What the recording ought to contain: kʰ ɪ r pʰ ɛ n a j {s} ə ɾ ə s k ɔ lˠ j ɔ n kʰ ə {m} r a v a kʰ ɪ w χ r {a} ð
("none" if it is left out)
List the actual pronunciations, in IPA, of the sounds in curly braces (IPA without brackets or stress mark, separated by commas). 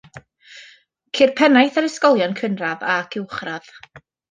θ, n, a